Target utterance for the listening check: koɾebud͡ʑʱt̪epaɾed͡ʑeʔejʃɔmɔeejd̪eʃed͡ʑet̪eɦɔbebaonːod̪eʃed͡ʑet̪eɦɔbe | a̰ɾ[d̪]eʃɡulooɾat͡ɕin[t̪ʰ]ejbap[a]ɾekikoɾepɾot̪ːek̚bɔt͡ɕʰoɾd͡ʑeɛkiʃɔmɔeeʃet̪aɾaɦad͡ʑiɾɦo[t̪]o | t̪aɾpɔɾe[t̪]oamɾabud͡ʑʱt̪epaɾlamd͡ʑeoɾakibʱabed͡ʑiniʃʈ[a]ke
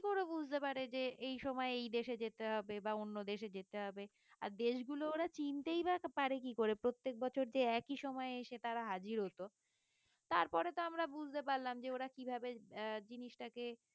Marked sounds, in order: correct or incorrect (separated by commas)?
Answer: correct, incorrect, correct, correct, correct, correct